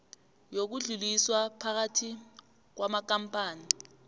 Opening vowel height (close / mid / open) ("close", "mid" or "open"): mid